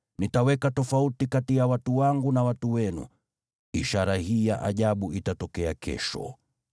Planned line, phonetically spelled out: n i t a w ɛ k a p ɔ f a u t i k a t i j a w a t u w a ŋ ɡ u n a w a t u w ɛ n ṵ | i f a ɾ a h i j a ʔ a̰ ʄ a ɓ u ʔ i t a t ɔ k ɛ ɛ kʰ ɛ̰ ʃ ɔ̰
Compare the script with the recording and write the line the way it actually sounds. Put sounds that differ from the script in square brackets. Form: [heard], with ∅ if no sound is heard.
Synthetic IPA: n i t a w ɛ k a [t] ɔ f a u t i k a t i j a w a t u w a ŋ ɡ u n a w a t u w ɛ n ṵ | i [ʃ] a ɾ a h i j a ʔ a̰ ʄ a ɓ u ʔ i t a t ɔ k ɛ [a] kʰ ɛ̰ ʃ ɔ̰